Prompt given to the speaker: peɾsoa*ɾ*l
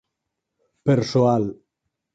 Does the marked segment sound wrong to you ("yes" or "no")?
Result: yes